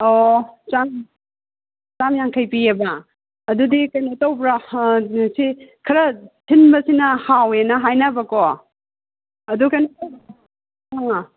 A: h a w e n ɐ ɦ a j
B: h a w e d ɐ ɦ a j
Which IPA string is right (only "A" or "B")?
A